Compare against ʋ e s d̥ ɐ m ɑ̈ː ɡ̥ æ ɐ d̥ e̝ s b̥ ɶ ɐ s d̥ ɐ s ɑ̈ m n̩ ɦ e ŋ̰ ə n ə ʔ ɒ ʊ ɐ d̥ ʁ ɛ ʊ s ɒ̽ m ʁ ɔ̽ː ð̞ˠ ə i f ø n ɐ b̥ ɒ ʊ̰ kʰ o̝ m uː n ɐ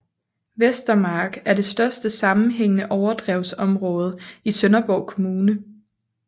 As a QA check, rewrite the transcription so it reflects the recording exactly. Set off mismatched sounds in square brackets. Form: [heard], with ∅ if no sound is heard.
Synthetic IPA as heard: ʋ e s d̥ ɐ m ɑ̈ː ɡ̥ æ ɐ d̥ e̝ s [d̥] ɶ ɐ s d̥ [ə] s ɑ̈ m n̩ ɦ e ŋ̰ ə n ə ʔ ɒ ʊ ɐ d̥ ʁ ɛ ʊ s ɒ̽ m ʁ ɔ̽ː ð̞ˠ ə i [s] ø n ɐ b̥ ɒ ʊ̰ kʰ o̝ m uː n [ə]